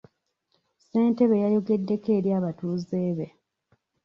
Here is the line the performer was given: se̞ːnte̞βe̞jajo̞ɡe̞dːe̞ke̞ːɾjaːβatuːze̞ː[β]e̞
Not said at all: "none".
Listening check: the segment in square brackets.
β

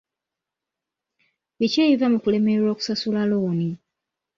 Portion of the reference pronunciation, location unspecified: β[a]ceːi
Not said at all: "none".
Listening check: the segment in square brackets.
i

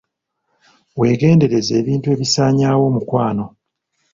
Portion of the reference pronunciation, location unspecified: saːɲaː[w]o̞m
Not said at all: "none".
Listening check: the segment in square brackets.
w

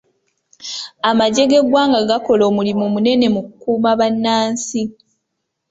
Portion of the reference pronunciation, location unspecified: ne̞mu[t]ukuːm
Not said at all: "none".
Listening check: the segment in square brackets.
k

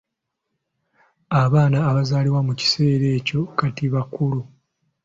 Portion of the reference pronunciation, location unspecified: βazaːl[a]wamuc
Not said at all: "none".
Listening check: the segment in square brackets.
i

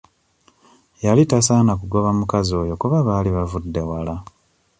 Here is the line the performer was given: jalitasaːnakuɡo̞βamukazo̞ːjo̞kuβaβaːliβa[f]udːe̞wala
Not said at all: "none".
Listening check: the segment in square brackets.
v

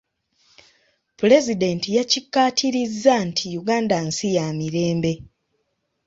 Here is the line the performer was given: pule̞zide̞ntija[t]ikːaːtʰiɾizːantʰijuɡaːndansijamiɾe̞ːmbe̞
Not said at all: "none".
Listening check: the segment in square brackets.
c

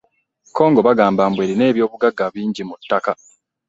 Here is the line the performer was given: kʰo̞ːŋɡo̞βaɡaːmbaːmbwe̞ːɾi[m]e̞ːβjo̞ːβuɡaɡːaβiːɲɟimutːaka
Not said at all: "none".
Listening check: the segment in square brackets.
n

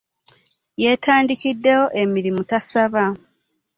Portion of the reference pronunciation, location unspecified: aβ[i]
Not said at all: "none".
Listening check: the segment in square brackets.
a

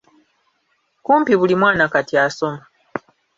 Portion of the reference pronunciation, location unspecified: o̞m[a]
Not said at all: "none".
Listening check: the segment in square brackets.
a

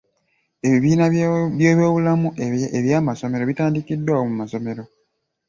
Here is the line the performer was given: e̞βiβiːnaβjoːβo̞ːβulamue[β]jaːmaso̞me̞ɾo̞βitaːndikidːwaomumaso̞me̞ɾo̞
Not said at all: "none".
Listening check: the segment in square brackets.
β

